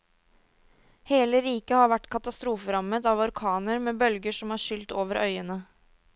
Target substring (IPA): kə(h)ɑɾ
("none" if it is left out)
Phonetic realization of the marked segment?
h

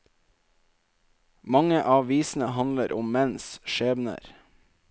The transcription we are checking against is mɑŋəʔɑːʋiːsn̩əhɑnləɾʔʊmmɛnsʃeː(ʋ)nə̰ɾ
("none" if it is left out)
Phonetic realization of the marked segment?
ʋ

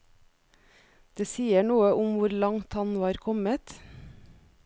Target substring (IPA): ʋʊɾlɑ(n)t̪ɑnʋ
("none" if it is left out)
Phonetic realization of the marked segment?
ŋ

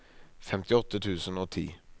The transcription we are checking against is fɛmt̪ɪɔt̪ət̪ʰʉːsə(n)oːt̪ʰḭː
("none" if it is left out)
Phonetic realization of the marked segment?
n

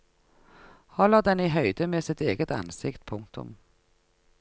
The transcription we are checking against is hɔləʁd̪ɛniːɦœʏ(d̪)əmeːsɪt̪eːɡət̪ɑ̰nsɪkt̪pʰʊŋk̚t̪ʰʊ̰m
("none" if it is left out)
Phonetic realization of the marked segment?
d̪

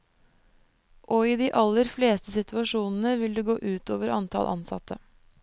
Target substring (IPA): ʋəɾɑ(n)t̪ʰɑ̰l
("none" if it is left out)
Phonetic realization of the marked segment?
n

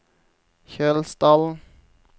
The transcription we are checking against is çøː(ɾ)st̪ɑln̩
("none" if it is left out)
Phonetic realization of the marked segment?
l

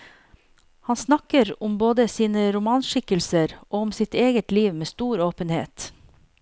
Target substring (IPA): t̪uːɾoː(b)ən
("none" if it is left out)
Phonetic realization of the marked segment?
p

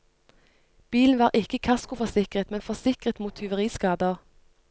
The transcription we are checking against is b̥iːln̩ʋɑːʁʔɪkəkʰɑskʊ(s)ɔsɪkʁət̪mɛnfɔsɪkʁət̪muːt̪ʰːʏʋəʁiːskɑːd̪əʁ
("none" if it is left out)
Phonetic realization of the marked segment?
f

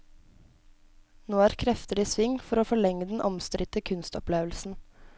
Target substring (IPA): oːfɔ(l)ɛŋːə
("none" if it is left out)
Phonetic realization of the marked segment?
ɭ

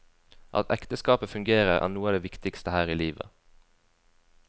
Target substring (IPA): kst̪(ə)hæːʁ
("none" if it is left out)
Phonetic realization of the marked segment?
ə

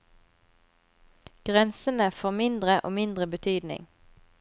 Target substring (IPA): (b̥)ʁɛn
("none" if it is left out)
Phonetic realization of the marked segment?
ɡ̥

